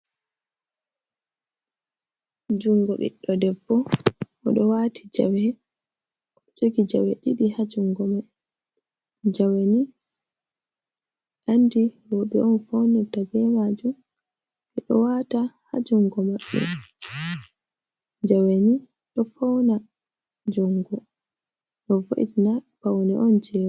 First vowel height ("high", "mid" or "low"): high